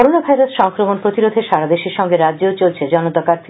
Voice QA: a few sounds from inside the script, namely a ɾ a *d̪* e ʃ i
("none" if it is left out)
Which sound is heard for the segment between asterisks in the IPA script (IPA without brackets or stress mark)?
d̪